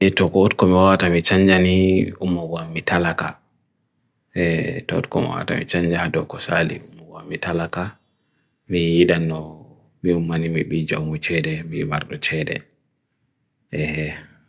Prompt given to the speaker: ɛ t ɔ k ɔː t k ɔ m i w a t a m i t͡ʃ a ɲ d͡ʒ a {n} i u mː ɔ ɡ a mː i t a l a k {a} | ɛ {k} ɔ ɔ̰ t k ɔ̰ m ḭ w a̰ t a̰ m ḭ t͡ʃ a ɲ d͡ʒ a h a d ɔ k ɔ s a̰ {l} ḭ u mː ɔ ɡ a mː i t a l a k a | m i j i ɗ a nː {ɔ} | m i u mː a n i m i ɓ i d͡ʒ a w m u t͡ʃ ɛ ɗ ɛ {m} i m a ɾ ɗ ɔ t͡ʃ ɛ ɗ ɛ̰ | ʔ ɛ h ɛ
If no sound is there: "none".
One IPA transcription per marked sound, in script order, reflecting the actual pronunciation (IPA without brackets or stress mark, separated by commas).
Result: n, a, t, l, ɔ, m